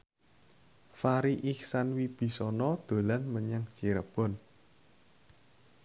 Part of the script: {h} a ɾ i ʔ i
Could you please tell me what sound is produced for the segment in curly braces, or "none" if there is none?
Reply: f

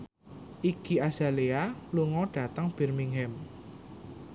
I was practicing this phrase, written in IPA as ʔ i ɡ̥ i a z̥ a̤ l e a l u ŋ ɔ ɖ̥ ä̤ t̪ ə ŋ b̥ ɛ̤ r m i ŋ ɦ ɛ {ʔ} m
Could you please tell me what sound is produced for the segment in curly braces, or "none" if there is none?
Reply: none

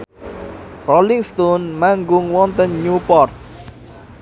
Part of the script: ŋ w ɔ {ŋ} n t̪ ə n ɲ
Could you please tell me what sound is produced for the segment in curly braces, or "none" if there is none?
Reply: none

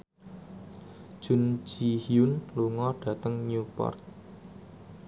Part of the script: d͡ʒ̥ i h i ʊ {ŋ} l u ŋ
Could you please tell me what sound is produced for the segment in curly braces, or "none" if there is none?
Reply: n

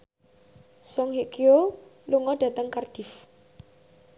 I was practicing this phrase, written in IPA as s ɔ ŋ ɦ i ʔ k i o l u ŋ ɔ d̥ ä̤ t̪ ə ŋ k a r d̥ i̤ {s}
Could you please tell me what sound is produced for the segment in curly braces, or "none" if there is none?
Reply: f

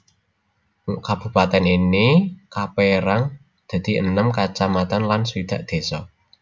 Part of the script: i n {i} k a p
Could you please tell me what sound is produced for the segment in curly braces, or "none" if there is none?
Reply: i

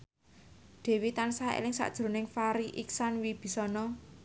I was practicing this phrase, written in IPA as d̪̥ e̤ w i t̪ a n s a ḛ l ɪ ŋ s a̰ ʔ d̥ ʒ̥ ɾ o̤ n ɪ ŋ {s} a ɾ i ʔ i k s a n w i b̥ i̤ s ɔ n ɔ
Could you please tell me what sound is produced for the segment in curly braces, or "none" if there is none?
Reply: f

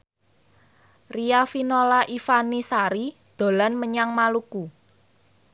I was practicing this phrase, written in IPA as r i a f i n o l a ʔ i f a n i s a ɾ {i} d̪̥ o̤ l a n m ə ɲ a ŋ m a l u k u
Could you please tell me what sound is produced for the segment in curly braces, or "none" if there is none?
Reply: i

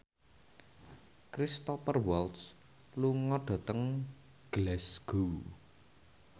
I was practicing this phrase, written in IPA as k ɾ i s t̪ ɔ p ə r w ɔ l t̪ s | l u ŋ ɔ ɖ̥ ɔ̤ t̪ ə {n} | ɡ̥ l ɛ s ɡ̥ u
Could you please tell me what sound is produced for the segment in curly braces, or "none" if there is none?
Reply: ŋ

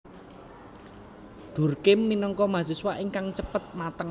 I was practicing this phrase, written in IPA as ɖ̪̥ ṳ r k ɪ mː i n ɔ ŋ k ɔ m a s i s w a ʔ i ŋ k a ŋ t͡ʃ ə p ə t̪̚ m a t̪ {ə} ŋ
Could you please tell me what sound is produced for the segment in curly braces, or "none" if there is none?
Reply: ə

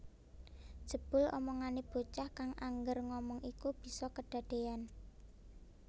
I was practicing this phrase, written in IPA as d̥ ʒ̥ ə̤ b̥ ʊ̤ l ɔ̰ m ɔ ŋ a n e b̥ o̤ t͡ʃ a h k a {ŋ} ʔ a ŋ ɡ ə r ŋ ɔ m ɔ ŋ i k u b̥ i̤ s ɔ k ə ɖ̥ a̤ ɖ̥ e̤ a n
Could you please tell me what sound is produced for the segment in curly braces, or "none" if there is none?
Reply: ŋ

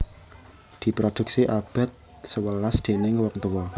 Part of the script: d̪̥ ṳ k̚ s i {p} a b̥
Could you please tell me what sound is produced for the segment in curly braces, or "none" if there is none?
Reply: ʔ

